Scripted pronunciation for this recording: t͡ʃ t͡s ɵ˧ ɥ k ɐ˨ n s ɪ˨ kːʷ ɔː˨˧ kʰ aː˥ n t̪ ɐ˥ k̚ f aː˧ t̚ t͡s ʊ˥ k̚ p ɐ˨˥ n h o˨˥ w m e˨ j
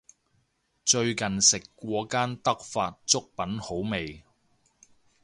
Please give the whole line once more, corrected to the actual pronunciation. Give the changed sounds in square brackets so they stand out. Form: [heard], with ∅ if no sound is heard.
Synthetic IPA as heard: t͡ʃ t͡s ɵ˧ ɥ k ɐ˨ n s ɪ˨ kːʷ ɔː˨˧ [k] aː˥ n t̪ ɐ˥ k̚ f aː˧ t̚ t͡s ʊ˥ k̚ p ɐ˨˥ n h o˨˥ w m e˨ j